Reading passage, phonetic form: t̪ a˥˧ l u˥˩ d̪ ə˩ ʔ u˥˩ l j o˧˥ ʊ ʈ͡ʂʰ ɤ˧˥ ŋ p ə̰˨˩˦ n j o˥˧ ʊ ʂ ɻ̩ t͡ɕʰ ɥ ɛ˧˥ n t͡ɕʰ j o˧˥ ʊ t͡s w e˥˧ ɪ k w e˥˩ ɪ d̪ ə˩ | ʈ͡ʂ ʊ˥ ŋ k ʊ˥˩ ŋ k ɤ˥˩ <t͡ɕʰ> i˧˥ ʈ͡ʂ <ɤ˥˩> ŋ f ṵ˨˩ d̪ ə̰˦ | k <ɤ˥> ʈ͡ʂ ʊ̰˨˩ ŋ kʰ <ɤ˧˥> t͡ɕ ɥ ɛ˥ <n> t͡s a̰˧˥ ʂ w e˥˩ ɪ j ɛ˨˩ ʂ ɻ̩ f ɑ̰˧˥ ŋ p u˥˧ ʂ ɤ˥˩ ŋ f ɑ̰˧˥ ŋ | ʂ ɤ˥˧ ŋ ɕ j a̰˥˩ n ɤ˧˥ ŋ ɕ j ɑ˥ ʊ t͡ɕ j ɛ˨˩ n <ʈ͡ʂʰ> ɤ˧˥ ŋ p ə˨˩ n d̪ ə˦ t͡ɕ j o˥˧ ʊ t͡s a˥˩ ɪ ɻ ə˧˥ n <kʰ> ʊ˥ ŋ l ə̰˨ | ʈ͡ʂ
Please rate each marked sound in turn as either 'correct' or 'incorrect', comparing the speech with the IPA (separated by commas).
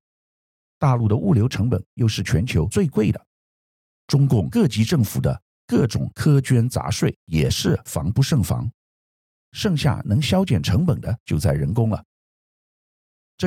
incorrect, correct, incorrect, incorrect, correct, correct, incorrect